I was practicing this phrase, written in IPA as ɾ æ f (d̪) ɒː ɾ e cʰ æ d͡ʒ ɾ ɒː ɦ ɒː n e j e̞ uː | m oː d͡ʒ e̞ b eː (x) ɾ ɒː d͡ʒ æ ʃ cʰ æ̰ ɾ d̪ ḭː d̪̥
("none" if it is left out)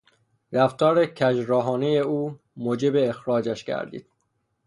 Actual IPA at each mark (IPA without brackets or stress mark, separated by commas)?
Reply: t̪, x